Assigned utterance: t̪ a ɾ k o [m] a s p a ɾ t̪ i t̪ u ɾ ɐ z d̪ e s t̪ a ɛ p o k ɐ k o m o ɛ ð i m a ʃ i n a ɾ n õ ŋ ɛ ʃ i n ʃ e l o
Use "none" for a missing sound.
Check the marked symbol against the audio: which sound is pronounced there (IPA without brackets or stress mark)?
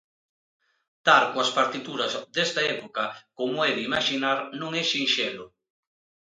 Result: none